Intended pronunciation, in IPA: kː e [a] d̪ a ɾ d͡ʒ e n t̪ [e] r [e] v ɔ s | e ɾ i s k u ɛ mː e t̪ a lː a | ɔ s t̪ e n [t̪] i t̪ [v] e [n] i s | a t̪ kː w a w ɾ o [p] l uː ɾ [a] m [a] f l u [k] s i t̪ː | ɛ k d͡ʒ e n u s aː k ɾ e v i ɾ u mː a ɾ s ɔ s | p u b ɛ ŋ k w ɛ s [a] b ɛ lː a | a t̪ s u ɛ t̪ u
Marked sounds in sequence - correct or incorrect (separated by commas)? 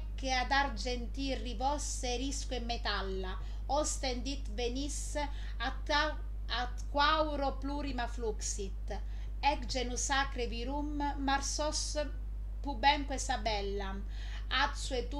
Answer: correct, incorrect, incorrect, incorrect, correct, correct, correct, incorrect, correct, correct, correct